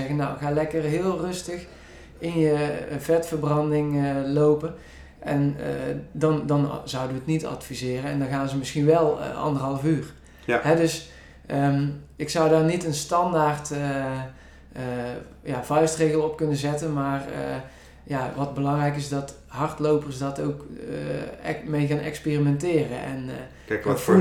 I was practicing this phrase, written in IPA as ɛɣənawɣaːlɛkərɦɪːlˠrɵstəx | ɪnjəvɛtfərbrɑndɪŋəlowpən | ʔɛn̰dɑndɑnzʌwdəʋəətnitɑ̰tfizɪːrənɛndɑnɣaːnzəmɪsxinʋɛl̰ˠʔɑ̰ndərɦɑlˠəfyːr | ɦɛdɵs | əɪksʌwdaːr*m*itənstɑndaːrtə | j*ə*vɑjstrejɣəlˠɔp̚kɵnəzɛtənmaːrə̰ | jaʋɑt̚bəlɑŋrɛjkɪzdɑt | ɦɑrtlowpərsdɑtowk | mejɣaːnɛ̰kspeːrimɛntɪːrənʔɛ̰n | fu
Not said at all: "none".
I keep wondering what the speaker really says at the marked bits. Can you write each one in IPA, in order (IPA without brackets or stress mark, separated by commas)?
n, a